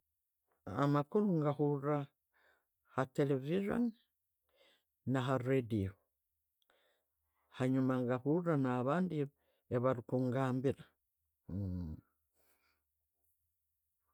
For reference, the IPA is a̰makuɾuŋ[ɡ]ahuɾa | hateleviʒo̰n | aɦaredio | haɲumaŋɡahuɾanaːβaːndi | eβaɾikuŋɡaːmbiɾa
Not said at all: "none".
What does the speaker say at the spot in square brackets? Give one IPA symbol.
ɡ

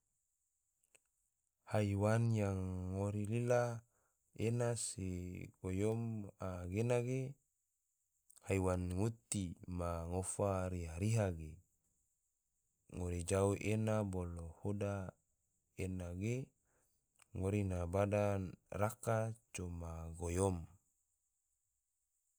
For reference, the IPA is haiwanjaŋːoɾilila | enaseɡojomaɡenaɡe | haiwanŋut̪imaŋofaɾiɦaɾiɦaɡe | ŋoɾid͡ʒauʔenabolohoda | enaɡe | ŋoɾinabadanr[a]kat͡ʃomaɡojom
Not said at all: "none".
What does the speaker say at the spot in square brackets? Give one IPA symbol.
a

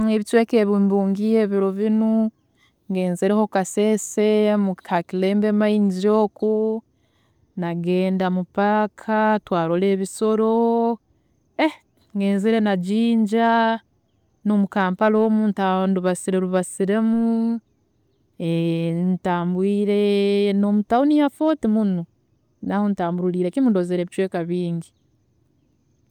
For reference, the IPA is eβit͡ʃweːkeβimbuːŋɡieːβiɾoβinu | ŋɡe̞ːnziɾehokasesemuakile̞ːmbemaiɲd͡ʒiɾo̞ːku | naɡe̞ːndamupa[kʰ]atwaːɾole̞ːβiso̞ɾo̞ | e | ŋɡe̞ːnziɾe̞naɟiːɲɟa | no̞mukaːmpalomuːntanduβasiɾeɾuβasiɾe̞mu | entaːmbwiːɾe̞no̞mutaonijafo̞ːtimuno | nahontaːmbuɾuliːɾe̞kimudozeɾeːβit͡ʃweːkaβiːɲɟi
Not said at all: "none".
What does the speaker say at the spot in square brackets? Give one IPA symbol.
kʰ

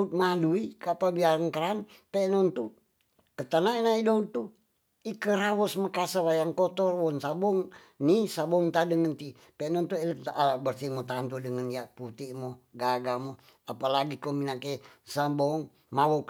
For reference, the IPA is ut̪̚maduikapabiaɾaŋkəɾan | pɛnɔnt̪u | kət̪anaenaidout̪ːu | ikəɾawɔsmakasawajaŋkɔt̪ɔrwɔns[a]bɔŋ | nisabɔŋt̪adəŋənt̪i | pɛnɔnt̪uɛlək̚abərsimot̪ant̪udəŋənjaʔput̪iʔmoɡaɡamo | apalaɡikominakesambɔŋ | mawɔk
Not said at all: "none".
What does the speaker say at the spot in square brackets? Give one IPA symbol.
a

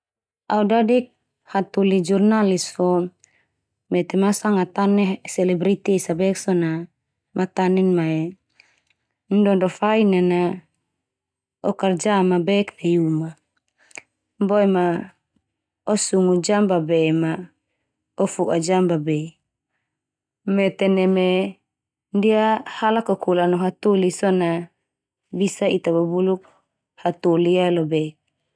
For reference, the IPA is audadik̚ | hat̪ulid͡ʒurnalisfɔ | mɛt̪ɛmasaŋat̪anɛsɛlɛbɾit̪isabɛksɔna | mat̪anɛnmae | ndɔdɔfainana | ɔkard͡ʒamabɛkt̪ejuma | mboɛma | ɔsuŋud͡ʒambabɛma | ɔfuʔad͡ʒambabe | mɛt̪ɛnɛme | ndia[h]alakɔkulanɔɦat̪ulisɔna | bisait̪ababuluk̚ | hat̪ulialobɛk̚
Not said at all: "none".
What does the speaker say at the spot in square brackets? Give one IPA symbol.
h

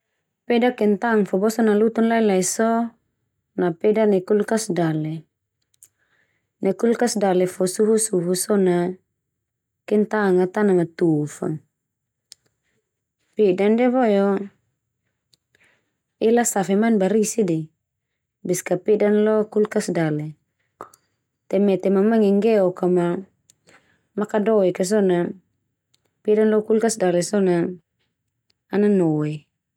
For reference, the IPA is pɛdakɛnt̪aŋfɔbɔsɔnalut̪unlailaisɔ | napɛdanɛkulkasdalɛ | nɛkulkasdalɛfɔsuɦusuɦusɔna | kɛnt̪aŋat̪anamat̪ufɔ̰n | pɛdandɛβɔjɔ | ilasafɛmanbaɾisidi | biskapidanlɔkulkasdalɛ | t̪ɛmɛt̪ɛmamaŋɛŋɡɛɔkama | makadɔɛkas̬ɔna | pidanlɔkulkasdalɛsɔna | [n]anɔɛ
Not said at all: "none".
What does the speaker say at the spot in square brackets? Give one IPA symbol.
n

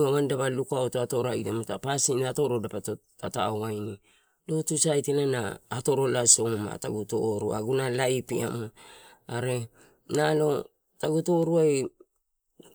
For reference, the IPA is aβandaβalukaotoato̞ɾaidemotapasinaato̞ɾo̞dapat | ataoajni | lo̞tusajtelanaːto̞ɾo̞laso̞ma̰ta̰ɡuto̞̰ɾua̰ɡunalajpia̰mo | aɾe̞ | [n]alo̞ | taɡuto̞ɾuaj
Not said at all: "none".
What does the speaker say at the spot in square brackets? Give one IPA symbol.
n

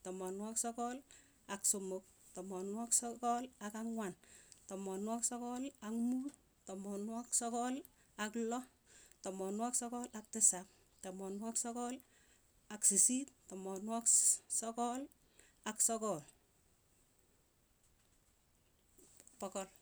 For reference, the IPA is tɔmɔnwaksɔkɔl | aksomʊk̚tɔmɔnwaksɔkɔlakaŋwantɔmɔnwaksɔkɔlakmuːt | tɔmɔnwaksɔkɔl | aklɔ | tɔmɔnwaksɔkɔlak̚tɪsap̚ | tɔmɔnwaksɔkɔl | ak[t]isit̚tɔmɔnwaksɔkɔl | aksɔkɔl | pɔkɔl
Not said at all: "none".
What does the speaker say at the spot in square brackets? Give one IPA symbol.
s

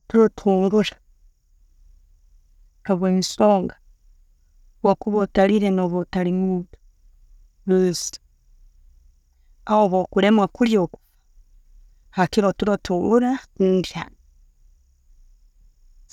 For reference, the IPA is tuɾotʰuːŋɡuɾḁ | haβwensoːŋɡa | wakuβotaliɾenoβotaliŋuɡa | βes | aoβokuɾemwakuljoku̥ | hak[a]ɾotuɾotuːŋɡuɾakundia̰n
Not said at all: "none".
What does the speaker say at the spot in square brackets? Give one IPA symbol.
i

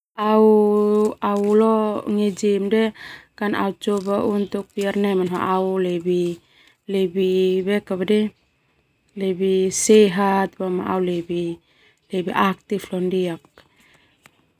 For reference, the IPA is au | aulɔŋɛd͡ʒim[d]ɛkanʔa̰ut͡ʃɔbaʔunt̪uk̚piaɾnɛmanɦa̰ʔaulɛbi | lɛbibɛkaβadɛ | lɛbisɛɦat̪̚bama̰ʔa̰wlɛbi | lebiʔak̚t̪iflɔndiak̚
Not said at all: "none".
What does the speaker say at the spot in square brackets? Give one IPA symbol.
d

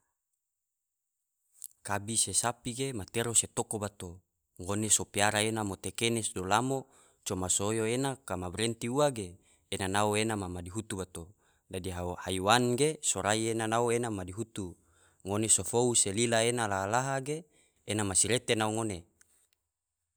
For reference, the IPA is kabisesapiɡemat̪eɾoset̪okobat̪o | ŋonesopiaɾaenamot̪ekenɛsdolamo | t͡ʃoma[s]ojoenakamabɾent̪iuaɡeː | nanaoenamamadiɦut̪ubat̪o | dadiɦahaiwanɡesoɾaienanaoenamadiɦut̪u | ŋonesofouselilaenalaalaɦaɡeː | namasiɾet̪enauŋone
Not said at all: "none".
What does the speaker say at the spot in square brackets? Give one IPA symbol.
s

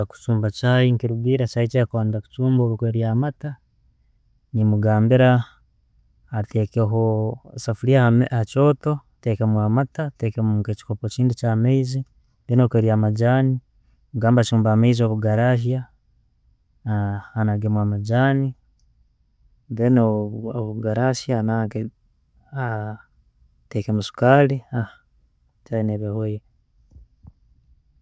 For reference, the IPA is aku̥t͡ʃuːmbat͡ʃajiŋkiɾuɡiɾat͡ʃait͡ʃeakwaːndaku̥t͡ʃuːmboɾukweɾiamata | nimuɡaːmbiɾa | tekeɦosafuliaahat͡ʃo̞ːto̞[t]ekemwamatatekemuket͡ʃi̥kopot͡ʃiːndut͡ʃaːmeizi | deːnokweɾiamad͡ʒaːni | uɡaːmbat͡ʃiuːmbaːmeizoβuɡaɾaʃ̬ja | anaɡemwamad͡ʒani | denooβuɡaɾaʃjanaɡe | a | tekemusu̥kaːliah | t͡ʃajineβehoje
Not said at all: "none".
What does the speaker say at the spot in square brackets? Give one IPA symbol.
t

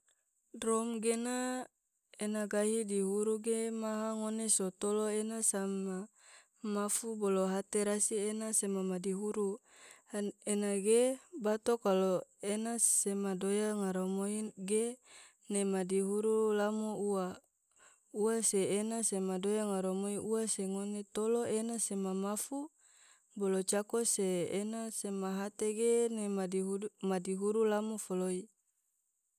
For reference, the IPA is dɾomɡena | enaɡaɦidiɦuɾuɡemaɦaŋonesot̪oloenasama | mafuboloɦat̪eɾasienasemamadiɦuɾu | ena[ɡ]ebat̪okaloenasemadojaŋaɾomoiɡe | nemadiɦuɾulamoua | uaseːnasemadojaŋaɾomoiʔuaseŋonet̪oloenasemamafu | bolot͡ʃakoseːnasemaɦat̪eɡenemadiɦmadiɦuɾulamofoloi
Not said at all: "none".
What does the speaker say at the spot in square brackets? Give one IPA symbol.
ɡ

